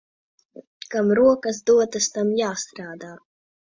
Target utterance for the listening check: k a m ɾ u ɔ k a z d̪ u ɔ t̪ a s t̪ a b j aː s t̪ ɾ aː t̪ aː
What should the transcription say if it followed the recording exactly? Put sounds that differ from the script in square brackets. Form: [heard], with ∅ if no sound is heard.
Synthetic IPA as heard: k a m ɾ u ɔ k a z d̪ u ɔ t̪ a s t̪ a [m] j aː s t̪ ɾ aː [d̪] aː